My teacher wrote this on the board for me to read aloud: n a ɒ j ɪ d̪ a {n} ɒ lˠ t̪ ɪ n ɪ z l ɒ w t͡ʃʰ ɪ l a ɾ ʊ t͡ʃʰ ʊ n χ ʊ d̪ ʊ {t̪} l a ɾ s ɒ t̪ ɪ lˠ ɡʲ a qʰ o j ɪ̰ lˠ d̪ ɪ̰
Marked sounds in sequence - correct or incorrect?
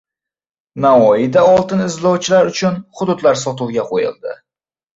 incorrect: none, incorrect: d̪

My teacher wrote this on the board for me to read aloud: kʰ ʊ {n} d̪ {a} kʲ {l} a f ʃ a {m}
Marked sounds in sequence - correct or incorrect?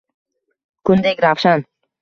correct, incorrect: e, incorrect: ɾ, incorrect: n

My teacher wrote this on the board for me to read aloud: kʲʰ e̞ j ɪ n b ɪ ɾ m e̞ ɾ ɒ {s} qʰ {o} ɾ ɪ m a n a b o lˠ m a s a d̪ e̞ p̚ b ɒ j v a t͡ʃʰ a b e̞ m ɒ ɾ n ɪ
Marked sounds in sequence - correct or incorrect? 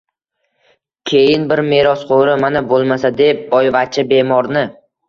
correct, correct

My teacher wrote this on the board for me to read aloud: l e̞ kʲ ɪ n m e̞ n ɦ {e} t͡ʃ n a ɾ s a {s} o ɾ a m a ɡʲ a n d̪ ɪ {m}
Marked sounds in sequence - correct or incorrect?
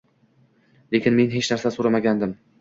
correct, correct, correct

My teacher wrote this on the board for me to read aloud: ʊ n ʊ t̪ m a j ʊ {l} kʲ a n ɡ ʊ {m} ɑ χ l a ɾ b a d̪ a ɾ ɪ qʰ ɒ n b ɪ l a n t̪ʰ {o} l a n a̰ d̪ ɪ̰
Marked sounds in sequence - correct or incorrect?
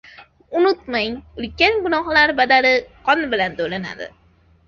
correct, incorrect: n, correct

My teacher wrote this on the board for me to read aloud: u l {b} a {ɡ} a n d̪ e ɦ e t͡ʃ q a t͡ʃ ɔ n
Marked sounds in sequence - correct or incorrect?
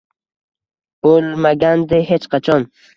incorrect: m, correct

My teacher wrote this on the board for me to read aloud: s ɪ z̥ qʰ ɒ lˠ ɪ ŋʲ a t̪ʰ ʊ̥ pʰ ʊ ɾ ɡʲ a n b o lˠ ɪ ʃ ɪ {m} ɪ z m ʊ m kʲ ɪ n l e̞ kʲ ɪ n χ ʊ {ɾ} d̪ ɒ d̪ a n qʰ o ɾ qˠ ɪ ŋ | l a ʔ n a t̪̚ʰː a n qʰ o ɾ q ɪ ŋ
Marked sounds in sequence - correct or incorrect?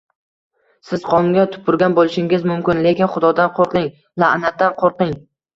incorrect: ŋ, incorrect: none

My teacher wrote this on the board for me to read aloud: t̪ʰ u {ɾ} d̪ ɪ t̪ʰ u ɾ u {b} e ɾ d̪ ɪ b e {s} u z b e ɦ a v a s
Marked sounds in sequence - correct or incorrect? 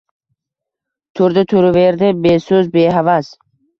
correct, incorrect: v, correct

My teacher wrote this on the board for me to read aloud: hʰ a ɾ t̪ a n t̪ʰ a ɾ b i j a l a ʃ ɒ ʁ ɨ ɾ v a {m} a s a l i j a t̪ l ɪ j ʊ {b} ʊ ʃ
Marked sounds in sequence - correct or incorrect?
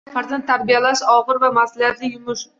correct, incorrect: m

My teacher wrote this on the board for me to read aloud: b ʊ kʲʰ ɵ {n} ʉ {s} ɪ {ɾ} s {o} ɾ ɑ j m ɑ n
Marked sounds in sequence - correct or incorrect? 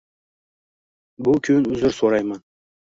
correct, incorrect: z, correct, correct

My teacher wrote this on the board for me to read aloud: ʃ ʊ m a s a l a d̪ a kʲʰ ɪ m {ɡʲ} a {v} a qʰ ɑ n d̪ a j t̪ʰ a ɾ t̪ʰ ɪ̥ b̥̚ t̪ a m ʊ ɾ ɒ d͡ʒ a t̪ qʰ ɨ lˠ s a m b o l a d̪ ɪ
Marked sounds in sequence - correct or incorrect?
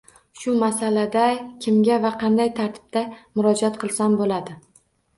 correct, correct

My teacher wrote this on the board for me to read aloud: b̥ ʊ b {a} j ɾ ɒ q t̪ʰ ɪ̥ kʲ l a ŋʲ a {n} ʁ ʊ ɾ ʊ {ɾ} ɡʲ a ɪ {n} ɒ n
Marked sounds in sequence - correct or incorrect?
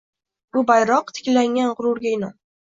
correct, correct, correct, correct

